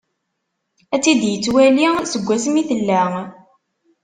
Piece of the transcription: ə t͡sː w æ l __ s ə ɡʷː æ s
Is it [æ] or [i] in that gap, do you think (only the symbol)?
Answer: i